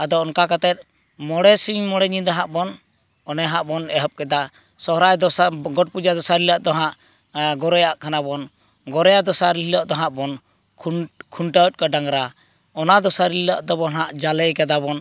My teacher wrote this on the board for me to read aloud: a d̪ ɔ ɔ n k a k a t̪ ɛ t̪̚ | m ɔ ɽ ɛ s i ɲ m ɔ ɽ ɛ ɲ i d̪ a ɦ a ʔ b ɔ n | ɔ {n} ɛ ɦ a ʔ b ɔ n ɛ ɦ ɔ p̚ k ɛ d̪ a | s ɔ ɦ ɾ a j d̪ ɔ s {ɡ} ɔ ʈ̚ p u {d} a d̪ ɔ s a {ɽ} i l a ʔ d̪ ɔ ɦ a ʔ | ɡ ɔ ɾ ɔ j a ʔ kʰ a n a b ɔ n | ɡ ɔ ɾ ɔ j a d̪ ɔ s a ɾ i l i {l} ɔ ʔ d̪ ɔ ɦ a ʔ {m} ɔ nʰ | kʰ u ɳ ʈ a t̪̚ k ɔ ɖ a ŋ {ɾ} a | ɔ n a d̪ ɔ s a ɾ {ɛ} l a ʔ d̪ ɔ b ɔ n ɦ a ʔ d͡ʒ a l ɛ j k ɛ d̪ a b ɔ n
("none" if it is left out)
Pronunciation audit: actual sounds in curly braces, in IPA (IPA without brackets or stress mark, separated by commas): n, ɡ, d͡ʒ, ɾ, l, b, ɾ, i